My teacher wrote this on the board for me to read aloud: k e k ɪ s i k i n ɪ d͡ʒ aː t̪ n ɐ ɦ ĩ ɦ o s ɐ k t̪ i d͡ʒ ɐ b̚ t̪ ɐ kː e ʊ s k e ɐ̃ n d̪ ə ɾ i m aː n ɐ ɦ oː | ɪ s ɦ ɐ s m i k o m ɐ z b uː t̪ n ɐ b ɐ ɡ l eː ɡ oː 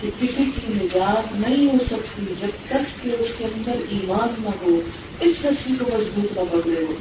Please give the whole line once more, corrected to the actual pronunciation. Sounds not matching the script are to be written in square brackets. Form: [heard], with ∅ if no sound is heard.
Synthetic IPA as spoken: k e k ɪ s i k i n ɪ d͡ʒ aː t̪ n ɐ ɦ ĩ ɦ o s ɐ k t̪ i d͡ʒ ɐ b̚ t̪ ɐ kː e ʊ s k e ɐ̃ n d̪ ə ɾ [iː] m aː [nː] ɐ ɦ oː | ɪ s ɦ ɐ s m i k o m ɐ z b uː t̪ n ɐ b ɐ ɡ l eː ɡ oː